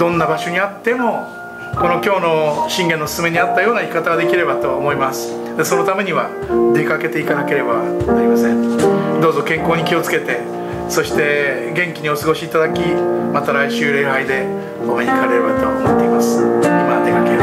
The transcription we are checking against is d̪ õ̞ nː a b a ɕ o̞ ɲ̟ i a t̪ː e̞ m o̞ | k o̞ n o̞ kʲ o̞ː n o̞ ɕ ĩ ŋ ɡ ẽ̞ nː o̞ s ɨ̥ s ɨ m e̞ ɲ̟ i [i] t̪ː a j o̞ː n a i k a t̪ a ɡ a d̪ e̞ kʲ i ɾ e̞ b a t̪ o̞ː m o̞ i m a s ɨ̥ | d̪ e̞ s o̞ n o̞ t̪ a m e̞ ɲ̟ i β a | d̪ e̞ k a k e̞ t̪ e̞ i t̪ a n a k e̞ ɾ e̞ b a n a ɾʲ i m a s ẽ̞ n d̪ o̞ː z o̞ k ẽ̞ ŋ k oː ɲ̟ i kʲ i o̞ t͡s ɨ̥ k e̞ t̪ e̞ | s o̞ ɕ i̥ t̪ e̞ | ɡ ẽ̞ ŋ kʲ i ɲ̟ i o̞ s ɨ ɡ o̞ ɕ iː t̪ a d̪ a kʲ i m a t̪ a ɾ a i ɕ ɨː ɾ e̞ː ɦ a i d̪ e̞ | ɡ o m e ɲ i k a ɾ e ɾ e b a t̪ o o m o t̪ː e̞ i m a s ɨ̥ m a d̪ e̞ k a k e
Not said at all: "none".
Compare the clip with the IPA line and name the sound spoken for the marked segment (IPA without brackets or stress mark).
a